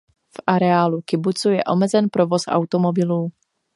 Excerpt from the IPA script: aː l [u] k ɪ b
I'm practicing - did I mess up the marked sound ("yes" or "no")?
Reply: no